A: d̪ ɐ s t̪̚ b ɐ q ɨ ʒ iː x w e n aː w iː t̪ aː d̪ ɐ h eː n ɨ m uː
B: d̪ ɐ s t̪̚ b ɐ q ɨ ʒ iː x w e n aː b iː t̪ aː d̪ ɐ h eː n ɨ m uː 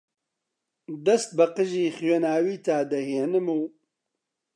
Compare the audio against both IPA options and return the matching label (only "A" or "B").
A